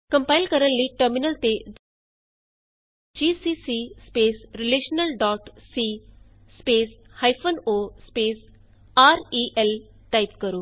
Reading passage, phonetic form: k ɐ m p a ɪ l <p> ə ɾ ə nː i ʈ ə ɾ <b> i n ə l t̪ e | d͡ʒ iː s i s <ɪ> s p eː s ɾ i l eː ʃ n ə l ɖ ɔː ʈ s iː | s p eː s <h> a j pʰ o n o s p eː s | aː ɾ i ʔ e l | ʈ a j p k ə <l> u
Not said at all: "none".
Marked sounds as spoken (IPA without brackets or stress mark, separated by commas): k, m, i, h, ɾ